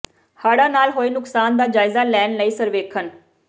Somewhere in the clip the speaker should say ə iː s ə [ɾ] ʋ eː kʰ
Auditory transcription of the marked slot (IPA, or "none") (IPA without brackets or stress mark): ɾ